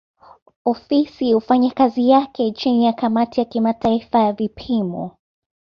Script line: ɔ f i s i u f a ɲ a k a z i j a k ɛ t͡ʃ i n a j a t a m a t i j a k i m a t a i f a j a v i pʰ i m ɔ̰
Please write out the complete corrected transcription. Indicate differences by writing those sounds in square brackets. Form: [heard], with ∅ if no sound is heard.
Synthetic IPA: ɔ f i s i u f a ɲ a k a z i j a k ɛ t͡ʃ i n [i] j a [k] a m a t i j a k i m a t a i f a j a v i pʰ i m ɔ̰